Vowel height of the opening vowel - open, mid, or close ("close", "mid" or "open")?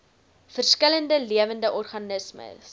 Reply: mid